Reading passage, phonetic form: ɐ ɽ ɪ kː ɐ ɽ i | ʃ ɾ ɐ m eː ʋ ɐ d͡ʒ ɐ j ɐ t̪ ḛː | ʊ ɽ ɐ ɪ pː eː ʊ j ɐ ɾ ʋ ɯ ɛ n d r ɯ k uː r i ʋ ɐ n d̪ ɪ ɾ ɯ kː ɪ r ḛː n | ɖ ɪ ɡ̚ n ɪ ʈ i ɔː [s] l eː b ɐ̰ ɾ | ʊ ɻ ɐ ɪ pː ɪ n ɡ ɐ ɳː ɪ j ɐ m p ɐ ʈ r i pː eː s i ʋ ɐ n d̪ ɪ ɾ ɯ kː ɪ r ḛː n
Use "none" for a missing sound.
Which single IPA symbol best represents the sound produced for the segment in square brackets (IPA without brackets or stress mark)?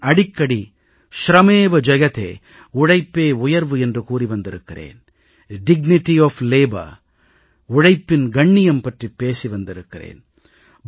f